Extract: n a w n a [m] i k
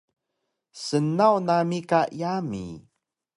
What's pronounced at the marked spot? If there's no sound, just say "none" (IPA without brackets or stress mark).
m